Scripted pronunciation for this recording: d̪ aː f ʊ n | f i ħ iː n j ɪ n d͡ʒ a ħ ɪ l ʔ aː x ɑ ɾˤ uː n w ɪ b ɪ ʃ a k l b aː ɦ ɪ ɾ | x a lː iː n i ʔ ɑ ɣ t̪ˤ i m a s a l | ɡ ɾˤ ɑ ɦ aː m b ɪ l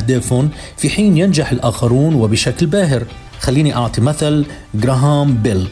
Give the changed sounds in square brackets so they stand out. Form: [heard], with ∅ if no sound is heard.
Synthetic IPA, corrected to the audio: d̪ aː f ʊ n | f i ħ iː n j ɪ n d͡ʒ a ħ ɪ l ʔ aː x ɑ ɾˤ uː n w ɪ b ɪ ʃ a k l b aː ɦ ɪ ɾ | x a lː iː n i ʔ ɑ [ʕ] t̪ˤ i m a [θ] a l | ɡ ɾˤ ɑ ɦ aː m b ɪ l